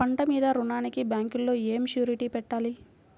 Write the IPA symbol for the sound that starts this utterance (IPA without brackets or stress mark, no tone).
ɐ